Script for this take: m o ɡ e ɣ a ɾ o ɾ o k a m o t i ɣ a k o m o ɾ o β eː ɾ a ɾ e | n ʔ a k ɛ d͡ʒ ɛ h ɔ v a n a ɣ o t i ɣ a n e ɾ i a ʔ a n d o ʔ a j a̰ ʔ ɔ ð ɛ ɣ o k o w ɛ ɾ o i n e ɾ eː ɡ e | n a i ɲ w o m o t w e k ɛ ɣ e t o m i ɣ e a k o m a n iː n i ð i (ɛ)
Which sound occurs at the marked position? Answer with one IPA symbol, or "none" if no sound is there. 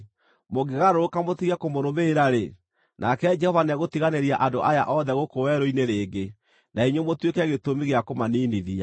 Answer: a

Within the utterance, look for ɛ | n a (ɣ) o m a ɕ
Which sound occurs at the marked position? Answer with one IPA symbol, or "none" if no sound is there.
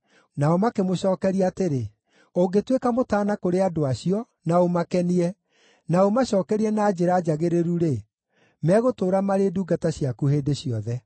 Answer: none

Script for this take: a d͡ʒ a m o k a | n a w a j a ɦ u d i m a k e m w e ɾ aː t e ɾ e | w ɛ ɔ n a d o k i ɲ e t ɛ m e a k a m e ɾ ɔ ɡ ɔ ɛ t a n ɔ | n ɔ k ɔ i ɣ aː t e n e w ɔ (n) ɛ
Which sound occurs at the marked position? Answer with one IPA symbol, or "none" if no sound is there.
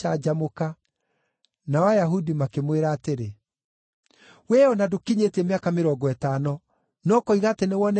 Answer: n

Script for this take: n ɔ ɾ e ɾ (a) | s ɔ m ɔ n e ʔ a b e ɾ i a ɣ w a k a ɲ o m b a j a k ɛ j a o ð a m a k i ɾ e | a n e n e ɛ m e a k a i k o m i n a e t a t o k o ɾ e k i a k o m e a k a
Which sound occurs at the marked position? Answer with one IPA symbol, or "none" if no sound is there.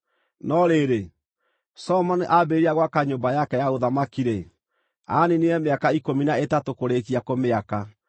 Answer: e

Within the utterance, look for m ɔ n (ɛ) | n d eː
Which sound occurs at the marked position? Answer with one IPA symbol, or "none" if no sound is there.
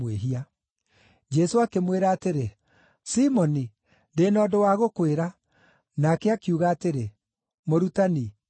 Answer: i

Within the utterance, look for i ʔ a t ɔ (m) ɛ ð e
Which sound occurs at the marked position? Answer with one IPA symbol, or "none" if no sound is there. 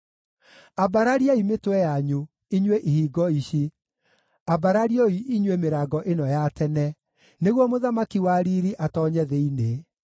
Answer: ɲ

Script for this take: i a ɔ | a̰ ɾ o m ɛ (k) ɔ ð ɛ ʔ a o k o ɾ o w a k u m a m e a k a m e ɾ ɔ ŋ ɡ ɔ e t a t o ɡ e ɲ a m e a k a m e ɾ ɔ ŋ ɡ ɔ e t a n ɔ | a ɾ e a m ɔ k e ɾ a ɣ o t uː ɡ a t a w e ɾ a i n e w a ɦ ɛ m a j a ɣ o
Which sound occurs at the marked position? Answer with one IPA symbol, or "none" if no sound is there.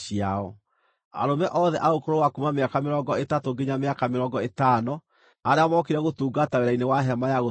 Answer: ʔ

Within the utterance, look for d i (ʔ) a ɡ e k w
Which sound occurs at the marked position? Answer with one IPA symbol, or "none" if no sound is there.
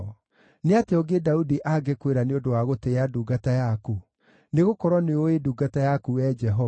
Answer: ʔ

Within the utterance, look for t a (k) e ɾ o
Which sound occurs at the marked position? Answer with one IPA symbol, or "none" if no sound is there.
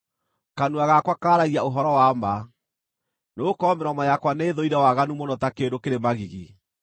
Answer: k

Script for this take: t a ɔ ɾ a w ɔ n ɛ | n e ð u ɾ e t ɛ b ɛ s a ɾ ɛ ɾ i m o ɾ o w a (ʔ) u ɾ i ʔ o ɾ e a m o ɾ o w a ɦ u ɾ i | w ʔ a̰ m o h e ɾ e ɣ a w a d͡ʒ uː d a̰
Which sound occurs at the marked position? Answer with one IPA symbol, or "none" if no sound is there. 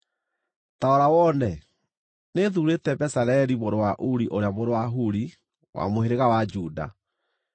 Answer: ʔ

